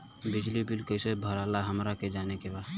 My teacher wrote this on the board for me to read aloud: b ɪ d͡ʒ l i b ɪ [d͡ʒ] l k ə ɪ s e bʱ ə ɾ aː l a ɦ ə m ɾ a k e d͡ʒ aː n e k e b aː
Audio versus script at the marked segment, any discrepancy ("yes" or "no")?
yes